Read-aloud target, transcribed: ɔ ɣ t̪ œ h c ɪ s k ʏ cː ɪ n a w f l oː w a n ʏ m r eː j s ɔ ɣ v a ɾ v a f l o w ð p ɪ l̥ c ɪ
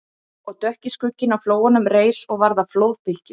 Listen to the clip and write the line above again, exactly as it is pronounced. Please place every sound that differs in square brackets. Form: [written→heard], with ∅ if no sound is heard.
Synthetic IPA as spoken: ɔ ɣ t̪ œ h c ɪ s k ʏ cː ɪ n a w f l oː w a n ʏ m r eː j s ɔ ɣ v a ɾ [v→ð] a f l o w ð p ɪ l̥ c ɪ

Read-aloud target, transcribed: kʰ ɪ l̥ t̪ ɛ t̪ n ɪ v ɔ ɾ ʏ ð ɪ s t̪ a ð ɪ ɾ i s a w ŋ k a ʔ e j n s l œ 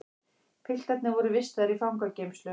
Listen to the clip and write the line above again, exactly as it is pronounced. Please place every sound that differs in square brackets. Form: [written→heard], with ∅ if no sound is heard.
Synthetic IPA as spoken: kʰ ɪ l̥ t̪ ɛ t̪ n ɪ v ɔ ɾ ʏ [ð→v] ɪ s t̪ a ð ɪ ɾ i [s→f] a w ŋ k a [ʔ→c] e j [n→m] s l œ

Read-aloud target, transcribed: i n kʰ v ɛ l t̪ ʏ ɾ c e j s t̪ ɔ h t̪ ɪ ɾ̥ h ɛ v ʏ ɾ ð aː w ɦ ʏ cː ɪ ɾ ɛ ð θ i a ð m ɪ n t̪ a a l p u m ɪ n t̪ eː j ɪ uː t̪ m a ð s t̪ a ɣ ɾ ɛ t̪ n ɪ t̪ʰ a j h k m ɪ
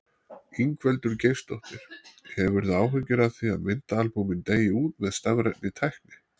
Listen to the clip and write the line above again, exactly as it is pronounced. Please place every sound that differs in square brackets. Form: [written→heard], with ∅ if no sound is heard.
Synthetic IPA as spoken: i [n→ŋ] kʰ v ɛ l t̪ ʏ ɾ c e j s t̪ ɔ h t̪ ɪ ɾ̥ h ɛ v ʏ ɾ ð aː w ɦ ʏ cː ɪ ɾ [ɛ→a] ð θ i a ð m ɪ n t̪ a a l p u m ɪ n t̪ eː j ɪ uː t̪ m [a→ɛ] ð s t̪ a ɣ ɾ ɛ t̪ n ɪ t̪ʰ a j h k [m→n] ɪ

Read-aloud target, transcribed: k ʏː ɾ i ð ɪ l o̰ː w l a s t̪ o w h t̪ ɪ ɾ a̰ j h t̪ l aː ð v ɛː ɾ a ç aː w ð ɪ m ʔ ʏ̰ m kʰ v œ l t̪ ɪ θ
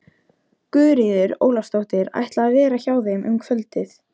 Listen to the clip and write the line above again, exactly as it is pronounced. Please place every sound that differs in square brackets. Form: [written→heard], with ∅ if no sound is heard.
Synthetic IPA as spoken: k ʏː ɾ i ð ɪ [l→ɾ] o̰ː w l a s t̪ o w h t̪ ɪ ɾ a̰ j h t̪ l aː ð v ɛː ɾ a ç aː w ð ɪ m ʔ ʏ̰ m kʰ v œ l t̪ ɪ θ

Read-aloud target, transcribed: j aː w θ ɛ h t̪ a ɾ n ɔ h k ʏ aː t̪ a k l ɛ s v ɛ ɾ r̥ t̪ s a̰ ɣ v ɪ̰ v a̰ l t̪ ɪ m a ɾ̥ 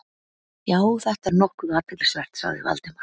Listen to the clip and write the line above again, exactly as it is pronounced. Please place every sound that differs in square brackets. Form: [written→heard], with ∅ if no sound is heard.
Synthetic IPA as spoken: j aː w θ ɛ h t̪ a ɾ n ɔ h k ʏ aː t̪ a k l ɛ s v ɛ [ɾ→∅] r̥ t̪ s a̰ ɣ [v→ð] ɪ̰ v a̰ l t̪ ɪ m a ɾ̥

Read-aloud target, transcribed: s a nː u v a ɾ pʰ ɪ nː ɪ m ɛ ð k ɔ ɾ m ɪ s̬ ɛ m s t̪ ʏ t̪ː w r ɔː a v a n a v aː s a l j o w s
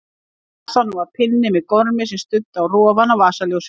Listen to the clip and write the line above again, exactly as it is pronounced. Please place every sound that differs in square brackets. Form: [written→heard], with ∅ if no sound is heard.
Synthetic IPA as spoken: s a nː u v a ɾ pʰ ɪ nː ɪ m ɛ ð k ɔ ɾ m ɪ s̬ ɛ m s t̪ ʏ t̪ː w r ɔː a v a n a v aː s a l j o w s

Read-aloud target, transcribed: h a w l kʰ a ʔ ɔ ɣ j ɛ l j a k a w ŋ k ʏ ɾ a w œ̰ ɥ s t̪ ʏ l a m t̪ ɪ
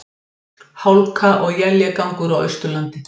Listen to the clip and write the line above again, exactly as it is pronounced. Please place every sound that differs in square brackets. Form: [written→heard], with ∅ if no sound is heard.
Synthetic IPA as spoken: h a w l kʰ a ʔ ɔ ɣ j ɛ l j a k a w ŋ k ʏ ɾ a w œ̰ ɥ s t̪ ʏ l a [m→n] t̪ ɪ

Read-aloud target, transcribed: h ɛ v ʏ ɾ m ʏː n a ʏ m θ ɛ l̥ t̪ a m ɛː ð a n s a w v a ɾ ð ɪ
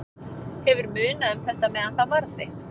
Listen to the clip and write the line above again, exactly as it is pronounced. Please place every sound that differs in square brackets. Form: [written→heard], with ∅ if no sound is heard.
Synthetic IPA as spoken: h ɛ v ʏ ɾ m ʏː n a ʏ m θ ɛ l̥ t̪ a m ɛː ð a n [s→θ] a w v a ɾ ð ɪ

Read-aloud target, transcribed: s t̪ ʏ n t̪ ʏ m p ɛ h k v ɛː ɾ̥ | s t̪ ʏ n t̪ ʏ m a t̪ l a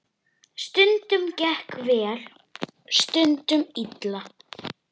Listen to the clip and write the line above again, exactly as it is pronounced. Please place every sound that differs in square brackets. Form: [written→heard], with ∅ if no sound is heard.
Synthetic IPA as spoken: s t̪ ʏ n t̪ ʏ m [p→c] ɛ h k v ɛː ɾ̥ | s t̪ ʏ n t̪ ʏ m [a→i] t̪ l a

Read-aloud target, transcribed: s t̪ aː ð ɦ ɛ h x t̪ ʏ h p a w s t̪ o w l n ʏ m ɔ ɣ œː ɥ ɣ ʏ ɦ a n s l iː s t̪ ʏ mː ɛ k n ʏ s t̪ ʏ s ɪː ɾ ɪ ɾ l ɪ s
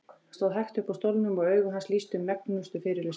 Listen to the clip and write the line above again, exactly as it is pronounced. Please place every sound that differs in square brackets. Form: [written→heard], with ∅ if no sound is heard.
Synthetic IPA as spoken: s t̪ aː ð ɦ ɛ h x t̪ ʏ h p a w s t̪ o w l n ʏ m ɔ ɣ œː ɥ ɣ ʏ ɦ a n s l iː s t̪ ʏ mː ɛ k n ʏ s t̪ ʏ [s→f] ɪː ɾ ɪ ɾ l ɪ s

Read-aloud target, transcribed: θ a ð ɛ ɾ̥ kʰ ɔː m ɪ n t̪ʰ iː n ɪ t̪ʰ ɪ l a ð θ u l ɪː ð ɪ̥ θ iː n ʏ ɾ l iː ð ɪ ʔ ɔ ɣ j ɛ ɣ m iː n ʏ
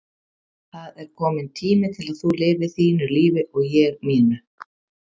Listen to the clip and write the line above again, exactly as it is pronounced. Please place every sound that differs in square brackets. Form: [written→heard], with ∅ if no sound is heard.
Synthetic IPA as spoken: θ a ð ɛ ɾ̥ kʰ ɔː m ɪ n t̪ʰ iː [n→m] ɪ t̪ʰ ɪ l a ð θ u l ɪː [ð→v] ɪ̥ θ iː n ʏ ɾ l iː [ð→v] ɪ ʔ ɔ ɣ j ɛ ɣ m iː n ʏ

